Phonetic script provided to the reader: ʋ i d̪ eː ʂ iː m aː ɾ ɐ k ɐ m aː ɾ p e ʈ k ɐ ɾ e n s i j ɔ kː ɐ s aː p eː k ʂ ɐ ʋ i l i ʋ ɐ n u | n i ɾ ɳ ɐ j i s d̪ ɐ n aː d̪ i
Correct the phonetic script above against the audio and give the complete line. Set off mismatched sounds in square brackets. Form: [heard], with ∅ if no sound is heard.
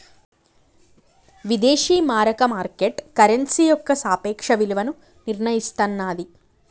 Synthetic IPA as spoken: ʋ i d̪ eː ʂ iː m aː ɾ ɐ k ɐ m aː ɾ [k] e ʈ k ɐ ɾ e n s i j ɔ kː ɐ s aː p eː k ʂ ɐ ʋ i l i ʋ ɐ n u | n i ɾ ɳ ɐ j i s [t̪] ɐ [nː] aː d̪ i